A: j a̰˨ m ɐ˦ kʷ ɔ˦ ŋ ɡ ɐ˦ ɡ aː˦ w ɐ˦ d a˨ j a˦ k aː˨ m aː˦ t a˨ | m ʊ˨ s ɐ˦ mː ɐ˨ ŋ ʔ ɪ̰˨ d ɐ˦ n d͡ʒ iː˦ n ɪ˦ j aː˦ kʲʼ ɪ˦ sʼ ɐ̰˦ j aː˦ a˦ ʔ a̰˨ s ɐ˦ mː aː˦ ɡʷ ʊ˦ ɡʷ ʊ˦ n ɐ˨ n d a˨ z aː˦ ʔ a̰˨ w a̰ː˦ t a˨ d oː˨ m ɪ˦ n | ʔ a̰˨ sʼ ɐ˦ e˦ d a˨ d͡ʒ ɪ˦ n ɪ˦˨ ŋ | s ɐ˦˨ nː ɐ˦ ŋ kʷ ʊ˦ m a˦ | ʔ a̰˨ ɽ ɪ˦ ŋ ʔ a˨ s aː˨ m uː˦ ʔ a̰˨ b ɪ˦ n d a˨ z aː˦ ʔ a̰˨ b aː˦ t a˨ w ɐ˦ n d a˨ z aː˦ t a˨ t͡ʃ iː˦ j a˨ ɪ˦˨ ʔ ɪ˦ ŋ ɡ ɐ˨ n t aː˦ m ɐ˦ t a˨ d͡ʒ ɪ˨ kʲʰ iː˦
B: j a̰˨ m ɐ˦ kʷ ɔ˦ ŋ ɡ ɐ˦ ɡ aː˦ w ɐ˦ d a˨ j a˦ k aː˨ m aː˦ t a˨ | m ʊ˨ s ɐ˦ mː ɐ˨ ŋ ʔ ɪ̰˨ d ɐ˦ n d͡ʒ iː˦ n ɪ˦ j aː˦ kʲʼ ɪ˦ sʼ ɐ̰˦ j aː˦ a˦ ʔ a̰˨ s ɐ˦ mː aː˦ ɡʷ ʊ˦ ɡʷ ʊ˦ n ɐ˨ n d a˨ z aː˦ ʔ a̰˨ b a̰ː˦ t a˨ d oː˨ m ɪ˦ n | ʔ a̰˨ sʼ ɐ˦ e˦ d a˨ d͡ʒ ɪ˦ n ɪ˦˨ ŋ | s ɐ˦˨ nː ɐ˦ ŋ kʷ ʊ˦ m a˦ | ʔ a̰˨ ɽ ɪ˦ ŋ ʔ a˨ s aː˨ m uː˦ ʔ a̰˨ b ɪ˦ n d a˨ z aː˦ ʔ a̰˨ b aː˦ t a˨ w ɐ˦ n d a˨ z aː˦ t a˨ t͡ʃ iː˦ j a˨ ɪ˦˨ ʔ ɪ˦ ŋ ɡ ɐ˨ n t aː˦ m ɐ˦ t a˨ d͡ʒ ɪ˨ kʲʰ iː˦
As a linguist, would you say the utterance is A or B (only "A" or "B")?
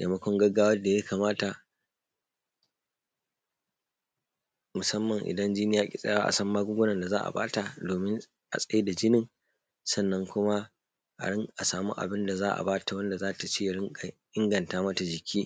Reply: B